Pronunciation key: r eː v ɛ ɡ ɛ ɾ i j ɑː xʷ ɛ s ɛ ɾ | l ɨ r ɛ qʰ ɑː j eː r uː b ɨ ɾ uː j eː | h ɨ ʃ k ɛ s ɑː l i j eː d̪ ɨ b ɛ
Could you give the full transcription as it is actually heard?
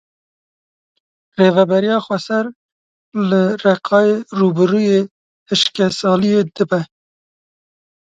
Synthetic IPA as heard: r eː v ɛ b ɛ ɾ i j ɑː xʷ ɛ s ɛ ɾ | l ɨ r ɛ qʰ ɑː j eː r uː b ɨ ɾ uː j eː | h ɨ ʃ k ɛ s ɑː l i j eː d̪ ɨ b ɛ

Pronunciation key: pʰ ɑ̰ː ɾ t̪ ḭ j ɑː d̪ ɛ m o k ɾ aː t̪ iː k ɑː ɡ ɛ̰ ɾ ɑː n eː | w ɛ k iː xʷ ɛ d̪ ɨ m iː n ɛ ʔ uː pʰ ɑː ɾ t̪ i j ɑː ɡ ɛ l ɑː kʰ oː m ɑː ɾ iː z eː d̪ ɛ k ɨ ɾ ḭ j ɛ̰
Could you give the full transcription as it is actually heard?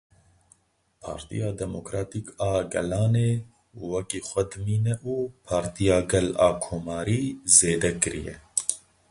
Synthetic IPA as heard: pʰ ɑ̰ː ɾ t̪ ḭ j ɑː d̪ ɛ m o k ɾ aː t̪ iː k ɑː ɡ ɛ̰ l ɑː n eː | w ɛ k iː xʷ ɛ d̪ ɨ m iː n ɛ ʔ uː pʰ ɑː ɾ t̪ i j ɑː ɡ ɛ l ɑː kʰ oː m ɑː ɾ iː z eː d̪ ɛ k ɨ ɾ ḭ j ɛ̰

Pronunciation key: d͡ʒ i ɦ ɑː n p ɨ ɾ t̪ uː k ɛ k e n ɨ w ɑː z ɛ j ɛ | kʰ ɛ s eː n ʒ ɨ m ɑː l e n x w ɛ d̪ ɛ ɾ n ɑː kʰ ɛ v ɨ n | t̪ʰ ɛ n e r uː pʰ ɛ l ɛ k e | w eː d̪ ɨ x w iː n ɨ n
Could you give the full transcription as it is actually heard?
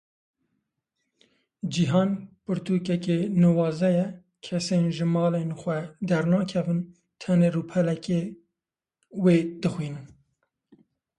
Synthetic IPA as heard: d͡ʒ i ɦ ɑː n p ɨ ɾ t̪ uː k ɛ k e n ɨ w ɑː z ɛ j ɛ | kʰ ɛ s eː n ʒ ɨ m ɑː l e n x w ɛ d̪ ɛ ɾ n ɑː kʰ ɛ v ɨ n | t̪ʰ ɛ n e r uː pʰ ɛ l ɛ k e | w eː d̪ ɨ x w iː n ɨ n

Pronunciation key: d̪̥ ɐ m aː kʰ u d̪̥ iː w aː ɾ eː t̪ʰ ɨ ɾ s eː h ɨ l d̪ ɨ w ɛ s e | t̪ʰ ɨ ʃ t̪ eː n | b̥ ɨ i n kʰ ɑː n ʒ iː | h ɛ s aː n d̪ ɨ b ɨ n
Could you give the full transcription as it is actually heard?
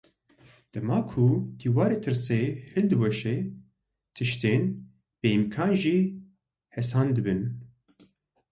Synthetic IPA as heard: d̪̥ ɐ m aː kʰ u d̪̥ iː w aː ɾ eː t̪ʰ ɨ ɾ s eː h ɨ l d̪ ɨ w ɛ ʃ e | t̪ʰ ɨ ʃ t̪ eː n | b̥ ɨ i m kʰ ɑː n ʒ iː | h ɛ s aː n d̪ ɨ b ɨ n

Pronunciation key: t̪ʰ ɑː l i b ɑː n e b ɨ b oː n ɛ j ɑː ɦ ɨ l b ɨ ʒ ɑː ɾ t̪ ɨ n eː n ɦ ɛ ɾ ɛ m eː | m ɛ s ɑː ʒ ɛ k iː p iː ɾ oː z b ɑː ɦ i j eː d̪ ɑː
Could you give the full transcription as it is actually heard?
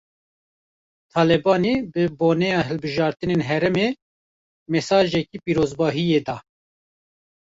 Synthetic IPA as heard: t̪ʰ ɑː l ɛ b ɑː n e b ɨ b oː n ɛ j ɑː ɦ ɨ l b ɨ ʒ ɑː ɾ t̪ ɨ n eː n ɦ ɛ ɾ ɛ m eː | m ɛ s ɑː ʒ ɛ k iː p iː ɾ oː z b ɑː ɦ i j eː d̪ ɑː

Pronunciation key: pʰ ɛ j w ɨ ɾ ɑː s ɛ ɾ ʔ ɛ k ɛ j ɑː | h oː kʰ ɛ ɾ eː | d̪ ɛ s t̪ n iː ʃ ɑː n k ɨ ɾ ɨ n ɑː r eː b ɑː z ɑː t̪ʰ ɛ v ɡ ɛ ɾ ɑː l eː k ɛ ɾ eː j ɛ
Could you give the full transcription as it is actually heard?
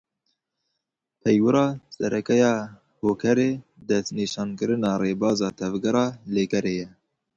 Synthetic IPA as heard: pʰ ɛ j w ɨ ɾ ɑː s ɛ ɾ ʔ ɛ k ɛ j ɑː | h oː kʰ ɛ ɾ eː | d̪ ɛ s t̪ n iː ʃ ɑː n k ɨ ɾ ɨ n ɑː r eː b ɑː z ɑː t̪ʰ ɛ v ɡ ɛ ɾ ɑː l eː k ɛ ɾ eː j ɛ

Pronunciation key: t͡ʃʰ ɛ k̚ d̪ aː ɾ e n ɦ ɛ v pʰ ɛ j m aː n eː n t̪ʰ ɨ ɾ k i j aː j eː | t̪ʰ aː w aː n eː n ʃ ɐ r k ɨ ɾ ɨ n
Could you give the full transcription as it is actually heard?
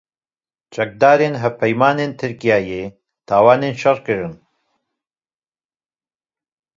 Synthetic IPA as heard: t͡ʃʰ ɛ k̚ d̪ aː ɾ e n ɦ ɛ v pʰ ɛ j m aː n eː n t̪ʰ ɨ ɾ k i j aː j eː | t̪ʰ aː w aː n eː n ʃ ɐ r k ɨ ɾ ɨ n

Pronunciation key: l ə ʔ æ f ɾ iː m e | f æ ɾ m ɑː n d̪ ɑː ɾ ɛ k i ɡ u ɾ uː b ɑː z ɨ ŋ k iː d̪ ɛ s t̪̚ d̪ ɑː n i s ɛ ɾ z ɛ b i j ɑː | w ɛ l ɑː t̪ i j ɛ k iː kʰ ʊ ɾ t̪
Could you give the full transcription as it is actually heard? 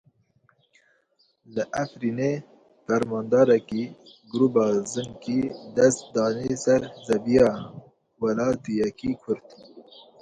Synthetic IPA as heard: l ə ʔ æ f ɾ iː n e | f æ ɾ m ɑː n d̪ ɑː ɾ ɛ k i ɡ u ɾ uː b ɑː z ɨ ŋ k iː d̪ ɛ s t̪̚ d̪ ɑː n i s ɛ ɾ z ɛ b i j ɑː | w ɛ l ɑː t̪ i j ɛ k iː kʰ ʊ ɾ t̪

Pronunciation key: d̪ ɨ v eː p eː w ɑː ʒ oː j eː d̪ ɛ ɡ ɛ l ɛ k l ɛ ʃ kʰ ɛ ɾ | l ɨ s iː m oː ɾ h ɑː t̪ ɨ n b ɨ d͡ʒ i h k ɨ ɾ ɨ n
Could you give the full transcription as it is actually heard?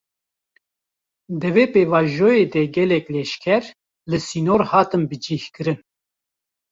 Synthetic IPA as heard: d̪ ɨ v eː p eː v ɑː ʒ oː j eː d̪ ɛ ɡ ɛ l ɛ k l ɛ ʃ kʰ ɛ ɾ | l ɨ s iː n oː ɾ h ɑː t̪ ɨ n b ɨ d͡ʒ i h k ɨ ɾ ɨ n

